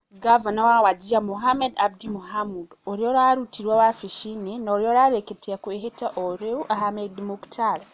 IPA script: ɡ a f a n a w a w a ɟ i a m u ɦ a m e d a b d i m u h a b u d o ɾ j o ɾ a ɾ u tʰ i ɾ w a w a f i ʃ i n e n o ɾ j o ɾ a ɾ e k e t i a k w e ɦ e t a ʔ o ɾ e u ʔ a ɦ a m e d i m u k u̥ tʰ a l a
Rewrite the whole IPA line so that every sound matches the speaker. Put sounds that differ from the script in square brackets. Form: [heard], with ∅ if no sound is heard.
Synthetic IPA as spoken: ɡ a [v] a n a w a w a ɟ i a m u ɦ a m e d a b d i m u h a [m] u d o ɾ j o ɾ a ɾ u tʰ i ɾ w a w a f i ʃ i n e n o ɾ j o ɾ a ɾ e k e t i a k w e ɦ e t a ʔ o ɾ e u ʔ a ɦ a m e d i m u k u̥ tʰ a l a